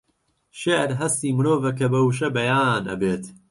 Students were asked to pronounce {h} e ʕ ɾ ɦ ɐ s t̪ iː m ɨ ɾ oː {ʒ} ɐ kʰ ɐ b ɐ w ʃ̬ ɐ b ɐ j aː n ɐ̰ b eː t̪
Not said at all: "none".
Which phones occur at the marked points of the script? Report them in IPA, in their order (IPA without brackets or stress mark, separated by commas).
ʃ, v